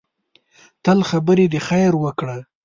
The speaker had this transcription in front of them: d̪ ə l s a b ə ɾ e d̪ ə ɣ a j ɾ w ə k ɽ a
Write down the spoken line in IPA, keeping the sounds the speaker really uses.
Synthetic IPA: t̪ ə l x a b ə ɾ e d̪ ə x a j ɾ w ə k ɽ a